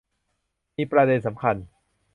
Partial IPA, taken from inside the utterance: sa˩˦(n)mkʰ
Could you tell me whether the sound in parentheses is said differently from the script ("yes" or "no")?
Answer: yes